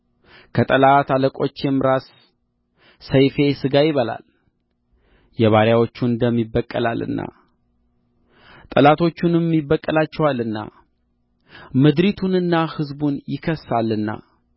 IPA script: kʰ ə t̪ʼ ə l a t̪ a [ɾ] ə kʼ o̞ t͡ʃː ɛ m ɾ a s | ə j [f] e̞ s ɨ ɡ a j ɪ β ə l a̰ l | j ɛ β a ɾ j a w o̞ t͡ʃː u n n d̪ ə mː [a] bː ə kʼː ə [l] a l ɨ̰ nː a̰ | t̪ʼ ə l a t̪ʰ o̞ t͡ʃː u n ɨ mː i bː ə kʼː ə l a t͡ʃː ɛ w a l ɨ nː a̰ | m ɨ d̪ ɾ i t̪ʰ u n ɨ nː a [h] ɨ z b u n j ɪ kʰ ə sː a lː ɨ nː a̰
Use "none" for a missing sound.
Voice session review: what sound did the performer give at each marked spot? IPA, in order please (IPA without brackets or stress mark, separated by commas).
l, f, i, l, h